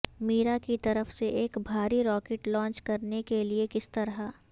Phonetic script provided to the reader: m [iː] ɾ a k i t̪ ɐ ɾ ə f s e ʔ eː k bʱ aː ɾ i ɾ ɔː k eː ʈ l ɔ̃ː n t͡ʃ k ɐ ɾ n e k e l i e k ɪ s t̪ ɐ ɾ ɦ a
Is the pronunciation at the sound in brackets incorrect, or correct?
correct